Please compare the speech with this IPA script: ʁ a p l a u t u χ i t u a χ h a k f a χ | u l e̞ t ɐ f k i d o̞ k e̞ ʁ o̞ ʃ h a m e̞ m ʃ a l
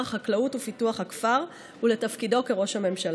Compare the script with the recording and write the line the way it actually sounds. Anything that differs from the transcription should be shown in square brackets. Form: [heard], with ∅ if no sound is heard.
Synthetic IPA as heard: [χ] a [k] l a u t u [f] i t u a χ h a k f a [ʁ] | u l e̞ t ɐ f k i d o̞ k e̞ ʁ o̞ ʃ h a m e̞ m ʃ a l